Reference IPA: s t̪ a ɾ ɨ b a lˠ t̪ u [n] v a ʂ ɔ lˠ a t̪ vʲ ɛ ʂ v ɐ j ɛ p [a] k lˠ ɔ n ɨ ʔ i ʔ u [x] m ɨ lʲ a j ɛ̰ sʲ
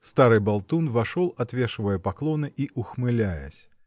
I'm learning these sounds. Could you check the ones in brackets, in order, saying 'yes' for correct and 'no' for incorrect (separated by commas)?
yes, yes, yes